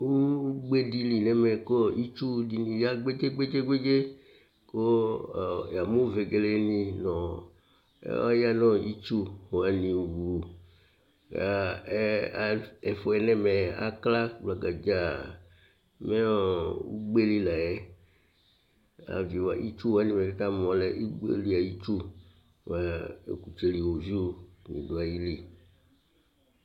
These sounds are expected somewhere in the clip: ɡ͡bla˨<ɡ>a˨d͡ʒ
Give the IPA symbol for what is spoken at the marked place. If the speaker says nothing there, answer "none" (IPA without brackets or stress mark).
ɡ